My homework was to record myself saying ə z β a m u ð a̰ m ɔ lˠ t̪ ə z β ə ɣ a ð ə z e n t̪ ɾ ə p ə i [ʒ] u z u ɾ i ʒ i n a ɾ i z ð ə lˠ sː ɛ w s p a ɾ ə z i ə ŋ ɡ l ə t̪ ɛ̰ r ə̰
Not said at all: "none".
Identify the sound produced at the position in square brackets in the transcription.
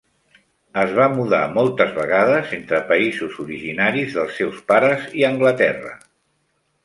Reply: z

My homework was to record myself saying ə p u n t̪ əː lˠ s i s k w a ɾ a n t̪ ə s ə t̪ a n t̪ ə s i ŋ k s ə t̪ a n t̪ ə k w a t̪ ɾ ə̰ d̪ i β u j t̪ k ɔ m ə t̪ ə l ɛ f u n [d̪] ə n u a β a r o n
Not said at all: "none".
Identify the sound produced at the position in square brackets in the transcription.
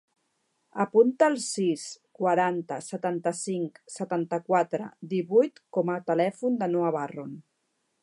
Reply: d̪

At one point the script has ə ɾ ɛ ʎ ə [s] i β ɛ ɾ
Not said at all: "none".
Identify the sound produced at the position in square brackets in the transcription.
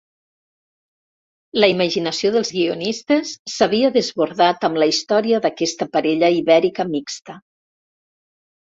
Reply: none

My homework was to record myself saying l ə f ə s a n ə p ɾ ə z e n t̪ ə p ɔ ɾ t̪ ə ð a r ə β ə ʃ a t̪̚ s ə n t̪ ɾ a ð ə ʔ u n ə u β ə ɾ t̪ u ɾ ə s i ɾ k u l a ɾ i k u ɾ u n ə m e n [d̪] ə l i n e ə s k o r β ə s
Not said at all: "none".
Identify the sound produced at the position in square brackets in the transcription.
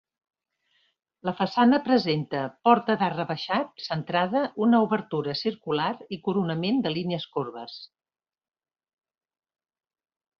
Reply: d̪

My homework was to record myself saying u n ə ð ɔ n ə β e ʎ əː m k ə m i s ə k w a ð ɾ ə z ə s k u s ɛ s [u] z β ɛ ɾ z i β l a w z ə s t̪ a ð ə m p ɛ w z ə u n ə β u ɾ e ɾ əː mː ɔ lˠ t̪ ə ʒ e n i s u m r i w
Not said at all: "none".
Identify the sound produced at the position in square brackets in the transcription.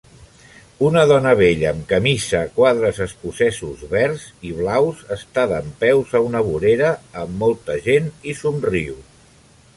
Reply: u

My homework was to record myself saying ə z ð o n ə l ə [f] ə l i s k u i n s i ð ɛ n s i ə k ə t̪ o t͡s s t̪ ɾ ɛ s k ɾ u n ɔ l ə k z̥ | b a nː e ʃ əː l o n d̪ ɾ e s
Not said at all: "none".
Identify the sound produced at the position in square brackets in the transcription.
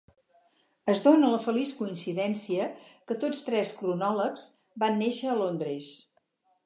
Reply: f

